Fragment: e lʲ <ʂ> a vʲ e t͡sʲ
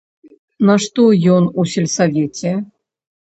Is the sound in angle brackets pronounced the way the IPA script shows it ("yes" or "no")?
no